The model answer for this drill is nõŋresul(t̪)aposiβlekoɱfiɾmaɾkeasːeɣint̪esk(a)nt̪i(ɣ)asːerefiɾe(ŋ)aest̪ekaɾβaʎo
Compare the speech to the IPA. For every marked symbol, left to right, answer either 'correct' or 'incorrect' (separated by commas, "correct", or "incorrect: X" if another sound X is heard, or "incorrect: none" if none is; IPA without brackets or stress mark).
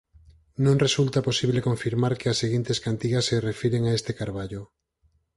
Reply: correct, correct, correct, correct